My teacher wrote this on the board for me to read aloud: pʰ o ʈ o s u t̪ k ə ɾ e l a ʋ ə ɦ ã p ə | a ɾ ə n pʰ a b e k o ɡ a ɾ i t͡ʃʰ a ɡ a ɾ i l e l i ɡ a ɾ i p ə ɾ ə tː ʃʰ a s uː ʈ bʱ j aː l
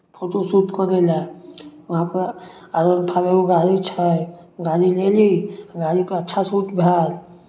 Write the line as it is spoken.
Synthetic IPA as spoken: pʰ o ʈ o s u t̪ k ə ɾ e l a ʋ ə ɦ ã p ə | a ɾ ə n pʰ a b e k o ɡ a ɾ i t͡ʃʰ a ɡ a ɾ i l e l i ɡ a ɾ i p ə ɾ ə tː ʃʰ a s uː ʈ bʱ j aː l